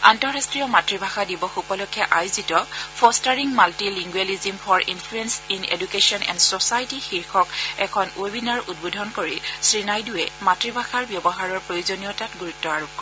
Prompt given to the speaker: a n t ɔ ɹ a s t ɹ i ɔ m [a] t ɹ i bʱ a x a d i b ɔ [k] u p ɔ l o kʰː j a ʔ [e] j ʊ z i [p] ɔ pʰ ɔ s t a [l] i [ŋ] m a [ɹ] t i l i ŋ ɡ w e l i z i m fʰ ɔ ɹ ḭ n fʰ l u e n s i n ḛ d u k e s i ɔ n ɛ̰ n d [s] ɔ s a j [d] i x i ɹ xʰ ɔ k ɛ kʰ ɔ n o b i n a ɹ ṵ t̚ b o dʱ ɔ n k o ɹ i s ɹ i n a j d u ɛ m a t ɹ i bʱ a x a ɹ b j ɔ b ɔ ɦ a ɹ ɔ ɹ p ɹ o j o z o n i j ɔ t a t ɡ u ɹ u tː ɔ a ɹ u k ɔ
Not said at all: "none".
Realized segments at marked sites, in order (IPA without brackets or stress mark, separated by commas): a, x, a, t, ɹ, ŋ, l, s, t